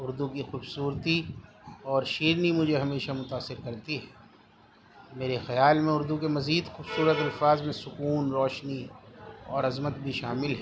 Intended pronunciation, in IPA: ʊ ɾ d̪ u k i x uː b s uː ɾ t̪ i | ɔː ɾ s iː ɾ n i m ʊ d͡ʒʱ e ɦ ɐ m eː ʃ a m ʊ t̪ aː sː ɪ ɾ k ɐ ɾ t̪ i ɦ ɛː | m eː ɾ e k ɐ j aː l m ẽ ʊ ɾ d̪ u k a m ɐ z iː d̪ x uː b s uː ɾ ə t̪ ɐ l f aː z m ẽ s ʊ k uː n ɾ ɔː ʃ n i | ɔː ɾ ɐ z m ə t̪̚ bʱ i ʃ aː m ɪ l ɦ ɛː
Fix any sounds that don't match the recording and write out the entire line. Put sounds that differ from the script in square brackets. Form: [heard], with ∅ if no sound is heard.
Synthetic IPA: ʊ ɾ d̪ u k i x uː b s uː ɾ t̪ i | ɔː ɾ [ʃ] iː ɾ n i m ʊ d͡ʒʱ e ɦ ɐ m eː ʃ a m ʊ t̪ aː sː ɪ ɾ k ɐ ɾ t̪ i ɦ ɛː | m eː ɾ e [x] ɐ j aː l m ẽ ʊ ɾ d̪ u k [e] m ɐ z iː d̪ x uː b s uː ɾ ə t̪ ɐ l f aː z m ẽ s ʊ k uː n ɾ ɔː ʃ n i | ɔː ɾ ɐ z m ə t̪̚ bʱ i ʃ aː m ɪ l ɦ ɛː